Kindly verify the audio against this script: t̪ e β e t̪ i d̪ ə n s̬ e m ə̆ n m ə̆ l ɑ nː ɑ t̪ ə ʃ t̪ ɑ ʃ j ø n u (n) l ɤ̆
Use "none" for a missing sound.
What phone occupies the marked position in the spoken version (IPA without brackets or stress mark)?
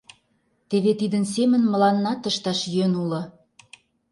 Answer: none